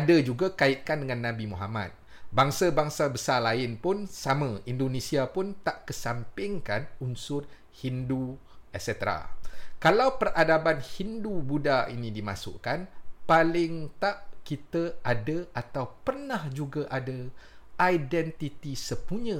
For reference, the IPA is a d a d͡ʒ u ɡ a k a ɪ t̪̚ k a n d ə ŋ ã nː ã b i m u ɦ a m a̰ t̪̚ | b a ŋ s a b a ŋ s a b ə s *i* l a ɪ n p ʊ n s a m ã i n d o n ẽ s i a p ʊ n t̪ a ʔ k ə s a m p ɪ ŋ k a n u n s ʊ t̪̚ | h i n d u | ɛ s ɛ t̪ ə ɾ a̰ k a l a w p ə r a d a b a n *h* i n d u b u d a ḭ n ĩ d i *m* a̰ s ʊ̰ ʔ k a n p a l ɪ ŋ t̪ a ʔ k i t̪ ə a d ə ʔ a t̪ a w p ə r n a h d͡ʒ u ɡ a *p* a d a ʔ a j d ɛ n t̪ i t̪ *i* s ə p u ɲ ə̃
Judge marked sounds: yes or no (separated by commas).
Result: no, yes, yes, no, yes